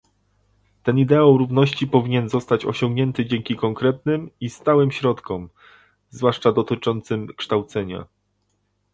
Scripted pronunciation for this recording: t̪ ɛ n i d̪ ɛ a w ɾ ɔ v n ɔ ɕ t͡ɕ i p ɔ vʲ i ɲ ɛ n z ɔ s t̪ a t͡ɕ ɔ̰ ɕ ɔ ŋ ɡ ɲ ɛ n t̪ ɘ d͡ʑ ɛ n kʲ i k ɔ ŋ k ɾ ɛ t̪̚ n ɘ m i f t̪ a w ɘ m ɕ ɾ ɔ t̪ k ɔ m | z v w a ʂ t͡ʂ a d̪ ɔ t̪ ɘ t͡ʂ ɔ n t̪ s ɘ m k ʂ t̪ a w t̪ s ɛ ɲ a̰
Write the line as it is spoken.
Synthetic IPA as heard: t̪ ɛ n i d̪ ɛ a w ɾ u v n ɔ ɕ t͡ɕ i p ɔ vʲ i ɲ ɛ n z ɔ s t̪ a t͡ɕ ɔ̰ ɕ ɔ ŋ ɡ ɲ ɛ n t̪ ɘ d͡ʑ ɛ ŋ kʲ i k ɔ ŋ k ɾ ɛ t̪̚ n ɘ m i s t̪ a w ɘ m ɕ ɾ ɔ t̪ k ɔ m | z v w a ʂ t͡ʂ a d̪ ɔ t̪ ɘ t͡ʂ ɔ n t̪ s ɘ m k ʂ t̪ a w t̪ s ɛ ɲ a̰